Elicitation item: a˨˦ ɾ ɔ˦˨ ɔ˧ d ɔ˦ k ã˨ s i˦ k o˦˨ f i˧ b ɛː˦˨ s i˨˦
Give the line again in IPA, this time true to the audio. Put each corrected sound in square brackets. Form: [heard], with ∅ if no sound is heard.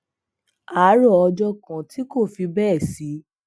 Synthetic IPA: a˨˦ ɾ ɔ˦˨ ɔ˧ [d͡ʒ] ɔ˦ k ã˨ [t] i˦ k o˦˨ f i˧ b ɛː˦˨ s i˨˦